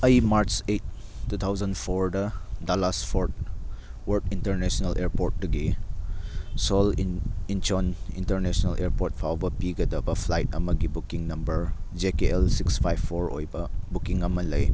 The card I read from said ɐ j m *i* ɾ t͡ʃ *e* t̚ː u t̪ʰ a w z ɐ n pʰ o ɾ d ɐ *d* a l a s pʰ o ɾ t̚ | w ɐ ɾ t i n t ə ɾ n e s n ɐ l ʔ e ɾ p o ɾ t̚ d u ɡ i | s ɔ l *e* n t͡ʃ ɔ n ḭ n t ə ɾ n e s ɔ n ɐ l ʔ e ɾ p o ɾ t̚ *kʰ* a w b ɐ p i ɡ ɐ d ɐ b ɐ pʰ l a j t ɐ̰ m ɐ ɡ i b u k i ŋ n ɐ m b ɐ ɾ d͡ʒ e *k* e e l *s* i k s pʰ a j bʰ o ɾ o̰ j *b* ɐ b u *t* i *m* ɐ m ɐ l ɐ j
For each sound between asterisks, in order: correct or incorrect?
incorrect, correct, correct, incorrect, incorrect, correct, correct, correct, incorrect, incorrect

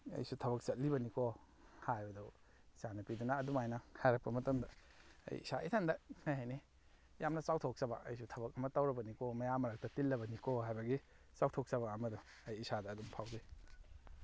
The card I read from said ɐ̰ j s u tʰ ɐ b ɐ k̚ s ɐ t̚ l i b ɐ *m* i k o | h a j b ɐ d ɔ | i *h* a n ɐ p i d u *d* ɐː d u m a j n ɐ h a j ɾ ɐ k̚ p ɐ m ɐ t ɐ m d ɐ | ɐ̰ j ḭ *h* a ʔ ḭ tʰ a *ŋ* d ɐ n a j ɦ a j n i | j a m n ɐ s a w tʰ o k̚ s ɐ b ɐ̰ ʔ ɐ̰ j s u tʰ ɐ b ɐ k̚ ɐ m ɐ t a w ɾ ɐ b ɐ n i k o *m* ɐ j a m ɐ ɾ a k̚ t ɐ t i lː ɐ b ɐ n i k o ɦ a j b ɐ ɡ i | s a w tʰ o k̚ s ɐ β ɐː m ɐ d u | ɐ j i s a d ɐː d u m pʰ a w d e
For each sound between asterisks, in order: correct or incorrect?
incorrect, incorrect, incorrect, incorrect, incorrect, correct

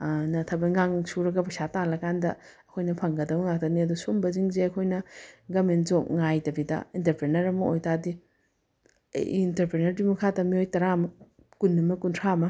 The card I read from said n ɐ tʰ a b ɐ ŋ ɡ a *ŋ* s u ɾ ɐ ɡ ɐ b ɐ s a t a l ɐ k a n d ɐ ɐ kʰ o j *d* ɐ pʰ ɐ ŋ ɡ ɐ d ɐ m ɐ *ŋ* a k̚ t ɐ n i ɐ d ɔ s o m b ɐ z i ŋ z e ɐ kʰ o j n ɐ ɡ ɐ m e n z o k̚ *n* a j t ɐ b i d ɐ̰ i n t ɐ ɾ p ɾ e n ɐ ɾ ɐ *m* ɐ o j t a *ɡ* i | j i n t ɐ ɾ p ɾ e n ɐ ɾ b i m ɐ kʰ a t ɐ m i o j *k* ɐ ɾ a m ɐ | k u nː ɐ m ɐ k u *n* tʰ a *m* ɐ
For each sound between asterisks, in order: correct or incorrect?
correct, incorrect, correct, incorrect, correct, incorrect, incorrect, correct, correct

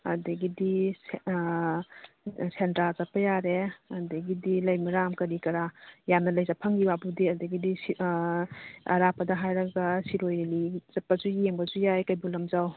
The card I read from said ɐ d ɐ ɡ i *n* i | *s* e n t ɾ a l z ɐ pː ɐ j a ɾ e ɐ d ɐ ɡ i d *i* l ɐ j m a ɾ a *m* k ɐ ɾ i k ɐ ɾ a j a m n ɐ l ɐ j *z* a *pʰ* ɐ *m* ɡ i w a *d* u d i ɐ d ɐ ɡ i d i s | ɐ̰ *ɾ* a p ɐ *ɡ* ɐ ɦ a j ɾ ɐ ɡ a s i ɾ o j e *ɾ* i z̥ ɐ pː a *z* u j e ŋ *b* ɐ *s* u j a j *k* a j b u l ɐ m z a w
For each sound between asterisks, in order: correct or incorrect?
incorrect, correct, correct, correct, correct, correct, incorrect, incorrect, correct, incorrect, incorrect, correct, correct, incorrect, correct

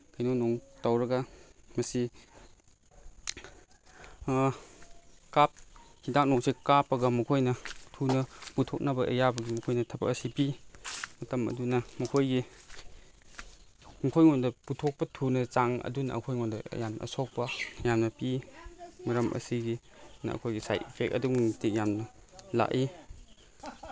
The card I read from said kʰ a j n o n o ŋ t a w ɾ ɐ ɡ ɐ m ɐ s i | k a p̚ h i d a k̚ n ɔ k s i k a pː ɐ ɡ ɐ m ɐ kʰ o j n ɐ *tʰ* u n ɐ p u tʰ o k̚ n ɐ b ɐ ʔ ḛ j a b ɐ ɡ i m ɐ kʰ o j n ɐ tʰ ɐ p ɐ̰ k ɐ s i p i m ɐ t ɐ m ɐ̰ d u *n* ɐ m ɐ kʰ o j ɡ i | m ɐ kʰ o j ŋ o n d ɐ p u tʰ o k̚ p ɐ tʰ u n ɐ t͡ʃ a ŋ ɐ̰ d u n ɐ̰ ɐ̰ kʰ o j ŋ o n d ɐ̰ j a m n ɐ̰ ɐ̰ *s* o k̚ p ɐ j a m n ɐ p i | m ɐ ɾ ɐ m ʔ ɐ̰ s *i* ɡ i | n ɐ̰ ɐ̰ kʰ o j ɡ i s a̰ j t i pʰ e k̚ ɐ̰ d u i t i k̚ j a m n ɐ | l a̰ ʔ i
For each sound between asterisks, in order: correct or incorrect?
correct, correct, correct, correct

